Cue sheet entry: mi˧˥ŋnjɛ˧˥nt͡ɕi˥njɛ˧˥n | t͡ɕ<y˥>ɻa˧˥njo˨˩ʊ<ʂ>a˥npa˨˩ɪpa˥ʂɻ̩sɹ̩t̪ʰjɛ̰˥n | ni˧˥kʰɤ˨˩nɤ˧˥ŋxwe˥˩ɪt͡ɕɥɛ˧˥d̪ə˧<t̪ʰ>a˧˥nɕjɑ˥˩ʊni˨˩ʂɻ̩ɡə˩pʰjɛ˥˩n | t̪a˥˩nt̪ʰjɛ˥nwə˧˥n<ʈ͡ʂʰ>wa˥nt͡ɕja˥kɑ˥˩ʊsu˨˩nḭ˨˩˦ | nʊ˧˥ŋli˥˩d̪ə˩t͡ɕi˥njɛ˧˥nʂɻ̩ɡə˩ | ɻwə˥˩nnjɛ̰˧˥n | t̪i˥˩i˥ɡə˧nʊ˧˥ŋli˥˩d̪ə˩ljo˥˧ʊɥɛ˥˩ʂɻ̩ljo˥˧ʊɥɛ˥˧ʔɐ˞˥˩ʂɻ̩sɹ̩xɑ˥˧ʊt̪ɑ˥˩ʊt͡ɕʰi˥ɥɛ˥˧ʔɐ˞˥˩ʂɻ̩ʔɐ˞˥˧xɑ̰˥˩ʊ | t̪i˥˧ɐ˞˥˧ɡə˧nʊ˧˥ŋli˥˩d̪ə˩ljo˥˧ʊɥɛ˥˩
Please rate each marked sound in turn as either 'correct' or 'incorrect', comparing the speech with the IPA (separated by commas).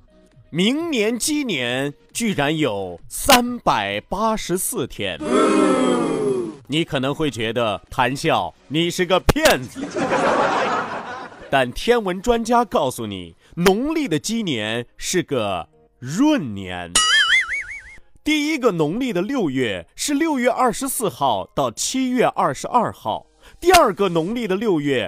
incorrect, incorrect, correct, incorrect